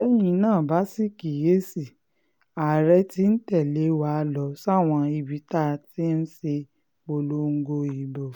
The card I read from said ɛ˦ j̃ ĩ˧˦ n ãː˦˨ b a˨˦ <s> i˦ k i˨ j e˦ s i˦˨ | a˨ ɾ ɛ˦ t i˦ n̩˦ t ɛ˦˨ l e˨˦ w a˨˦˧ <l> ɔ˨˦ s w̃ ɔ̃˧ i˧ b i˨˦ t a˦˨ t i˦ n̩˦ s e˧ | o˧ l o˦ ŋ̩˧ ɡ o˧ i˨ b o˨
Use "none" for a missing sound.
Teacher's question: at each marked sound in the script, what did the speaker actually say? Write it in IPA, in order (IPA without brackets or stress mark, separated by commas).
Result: s, l